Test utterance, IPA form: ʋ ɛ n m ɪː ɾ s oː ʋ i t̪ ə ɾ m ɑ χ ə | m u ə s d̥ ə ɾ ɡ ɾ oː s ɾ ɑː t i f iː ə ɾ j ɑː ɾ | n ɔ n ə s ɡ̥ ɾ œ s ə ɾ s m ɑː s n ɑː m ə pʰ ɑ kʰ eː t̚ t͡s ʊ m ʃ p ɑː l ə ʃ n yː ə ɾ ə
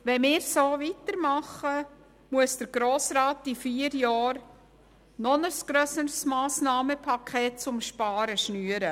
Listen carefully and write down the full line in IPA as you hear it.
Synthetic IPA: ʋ ɛ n m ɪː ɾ s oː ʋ i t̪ ə ɾ m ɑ χ ə | m u ə s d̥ ə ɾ ɡ ɾ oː s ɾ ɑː t i f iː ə ɾ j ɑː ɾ | n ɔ n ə s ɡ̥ ɾ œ s ə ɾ s m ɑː s n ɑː m ə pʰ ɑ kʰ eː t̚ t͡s ʊ m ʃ p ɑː ɾ ə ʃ n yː ə ɾ ə